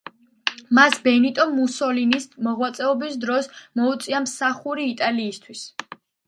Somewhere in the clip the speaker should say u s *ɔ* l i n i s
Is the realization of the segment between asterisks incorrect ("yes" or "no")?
no